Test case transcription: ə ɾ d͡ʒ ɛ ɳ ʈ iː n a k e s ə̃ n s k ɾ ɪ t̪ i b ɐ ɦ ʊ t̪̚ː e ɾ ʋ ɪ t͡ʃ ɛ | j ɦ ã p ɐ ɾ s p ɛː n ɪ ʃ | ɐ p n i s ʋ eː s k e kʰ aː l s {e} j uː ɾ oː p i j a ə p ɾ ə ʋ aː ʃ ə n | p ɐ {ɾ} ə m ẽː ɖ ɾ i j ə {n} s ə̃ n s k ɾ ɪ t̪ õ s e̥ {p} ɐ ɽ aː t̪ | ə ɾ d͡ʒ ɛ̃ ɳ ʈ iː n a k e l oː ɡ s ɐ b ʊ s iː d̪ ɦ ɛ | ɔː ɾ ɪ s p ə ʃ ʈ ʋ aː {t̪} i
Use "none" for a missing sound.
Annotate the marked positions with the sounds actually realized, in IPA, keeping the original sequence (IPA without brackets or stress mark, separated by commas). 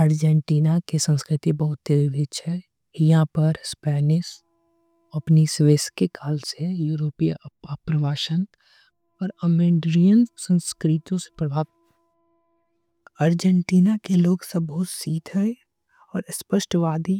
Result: e, ɾ, n, p, d̪